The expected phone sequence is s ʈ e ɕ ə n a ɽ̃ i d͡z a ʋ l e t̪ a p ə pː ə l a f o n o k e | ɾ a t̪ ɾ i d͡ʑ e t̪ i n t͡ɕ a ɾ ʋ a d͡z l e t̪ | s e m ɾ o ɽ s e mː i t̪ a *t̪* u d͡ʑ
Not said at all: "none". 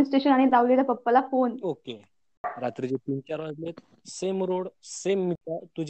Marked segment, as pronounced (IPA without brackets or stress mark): t̪